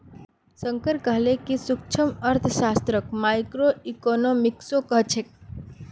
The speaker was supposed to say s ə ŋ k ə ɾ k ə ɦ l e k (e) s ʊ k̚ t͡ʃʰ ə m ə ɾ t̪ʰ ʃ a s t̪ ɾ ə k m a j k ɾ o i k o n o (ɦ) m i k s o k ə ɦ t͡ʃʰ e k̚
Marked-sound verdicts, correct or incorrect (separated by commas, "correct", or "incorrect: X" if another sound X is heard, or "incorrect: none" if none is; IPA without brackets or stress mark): incorrect: i, incorrect: none